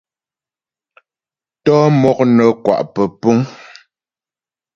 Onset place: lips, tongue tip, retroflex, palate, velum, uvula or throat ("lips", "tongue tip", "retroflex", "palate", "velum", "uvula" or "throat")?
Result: tongue tip